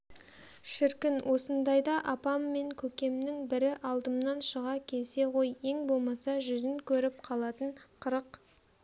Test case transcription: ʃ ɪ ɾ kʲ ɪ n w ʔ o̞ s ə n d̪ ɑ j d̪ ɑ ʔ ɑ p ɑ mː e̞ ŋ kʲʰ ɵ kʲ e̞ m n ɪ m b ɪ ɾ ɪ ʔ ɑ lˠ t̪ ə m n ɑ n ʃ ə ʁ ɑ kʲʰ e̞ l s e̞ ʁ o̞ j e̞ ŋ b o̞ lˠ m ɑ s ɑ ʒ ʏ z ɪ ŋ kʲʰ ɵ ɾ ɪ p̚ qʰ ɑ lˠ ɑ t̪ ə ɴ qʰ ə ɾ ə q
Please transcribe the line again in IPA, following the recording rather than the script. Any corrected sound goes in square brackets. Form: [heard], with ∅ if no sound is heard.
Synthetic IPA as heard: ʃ ɪ ɾ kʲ ɪ n w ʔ o̞ s ə n d̪ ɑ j d̪ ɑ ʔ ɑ p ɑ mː e̞ ŋ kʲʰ ɵ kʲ e̞ m n ɪ [ŋ] b ɪ ɾ ɪ ʔ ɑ lˠ [d̪] ə m n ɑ n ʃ ə ʁ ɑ kʲʰ e̞ l s e̞ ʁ o̞ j e̞ ŋ b o̞ lˠ m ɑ s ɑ ʒ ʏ z ɪ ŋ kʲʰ ɵ ɾ ɪ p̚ qʰ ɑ lˠ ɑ t̪ ə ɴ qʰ ə ɾ ə q

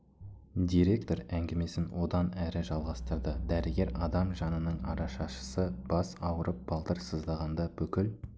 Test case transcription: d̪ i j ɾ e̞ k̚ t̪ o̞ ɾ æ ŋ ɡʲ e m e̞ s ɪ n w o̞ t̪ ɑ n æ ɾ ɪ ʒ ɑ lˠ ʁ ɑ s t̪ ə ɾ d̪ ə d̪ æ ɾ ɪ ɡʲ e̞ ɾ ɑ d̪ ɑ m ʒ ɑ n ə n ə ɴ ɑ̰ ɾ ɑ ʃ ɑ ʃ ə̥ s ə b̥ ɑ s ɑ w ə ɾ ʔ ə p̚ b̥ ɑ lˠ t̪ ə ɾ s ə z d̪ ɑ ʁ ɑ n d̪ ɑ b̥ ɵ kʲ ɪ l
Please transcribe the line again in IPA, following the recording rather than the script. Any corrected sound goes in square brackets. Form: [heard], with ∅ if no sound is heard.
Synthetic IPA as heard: d̪ i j ɾ e̞ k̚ t̪ o̞ ɾ æ ŋ ɡʲ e m e̞ s ɪ n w o̞ [d̪] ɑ n æ ɾ ɪ ʒ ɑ lˠ ʁ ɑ s t̪ ə ɾ d̪ ə d̪ æ ɾ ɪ ɡʲ e̞ ɾ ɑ d̪ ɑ m ʒ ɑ n ə n ə ɴ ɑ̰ ɾ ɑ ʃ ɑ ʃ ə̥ s ə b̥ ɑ s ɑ w ə ɾ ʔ ə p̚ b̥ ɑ lˠ t̪ ə ɾ s ə z d̪ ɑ ʁ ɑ n d̪ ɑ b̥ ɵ kʲ ɪ l

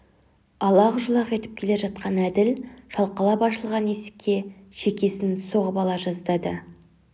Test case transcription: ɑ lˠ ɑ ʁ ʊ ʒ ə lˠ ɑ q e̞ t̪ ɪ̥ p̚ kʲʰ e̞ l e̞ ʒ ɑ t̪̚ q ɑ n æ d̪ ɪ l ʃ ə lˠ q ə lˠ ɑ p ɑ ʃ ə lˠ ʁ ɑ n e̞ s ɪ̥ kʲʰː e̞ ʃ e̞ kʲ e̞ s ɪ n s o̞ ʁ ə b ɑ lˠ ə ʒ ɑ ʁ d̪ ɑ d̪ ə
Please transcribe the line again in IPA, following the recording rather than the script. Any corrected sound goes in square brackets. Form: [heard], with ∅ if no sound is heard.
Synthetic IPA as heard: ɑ lˠ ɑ ʁ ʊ ʒ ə lˠ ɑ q e̞ t̪ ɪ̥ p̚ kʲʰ e̞ l e̞ ʒ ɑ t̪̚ q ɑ n æ d̪ ɪ l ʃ [ɑ] lˠ q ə lˠ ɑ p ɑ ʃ ə lˠ ʁ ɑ n e̞ s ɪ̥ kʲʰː e̞ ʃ e̞ kʲ e̞ s ɪ n s o̞ ʁ ə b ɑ lˠ [ɑ] ʒ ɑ [z] d̪ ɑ d̪ ə

